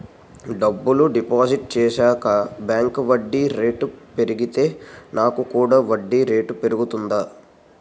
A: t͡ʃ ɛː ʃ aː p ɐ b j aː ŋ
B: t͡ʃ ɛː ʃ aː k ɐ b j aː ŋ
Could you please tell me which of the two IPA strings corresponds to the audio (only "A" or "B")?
B